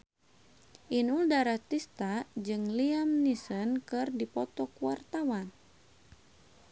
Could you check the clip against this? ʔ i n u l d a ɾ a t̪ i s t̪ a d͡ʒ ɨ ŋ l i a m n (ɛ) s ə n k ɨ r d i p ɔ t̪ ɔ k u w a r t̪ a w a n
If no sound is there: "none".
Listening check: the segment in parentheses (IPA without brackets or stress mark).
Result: i